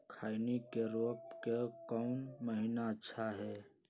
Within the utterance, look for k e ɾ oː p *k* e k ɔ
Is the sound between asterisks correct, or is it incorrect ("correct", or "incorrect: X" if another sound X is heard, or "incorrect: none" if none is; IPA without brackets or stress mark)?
correct